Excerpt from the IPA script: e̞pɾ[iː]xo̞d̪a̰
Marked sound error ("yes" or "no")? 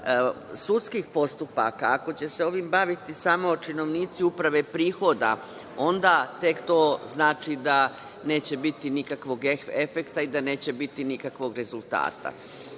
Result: no